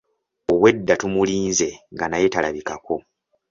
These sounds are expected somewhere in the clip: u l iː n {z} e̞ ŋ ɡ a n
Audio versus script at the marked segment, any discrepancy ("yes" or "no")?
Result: no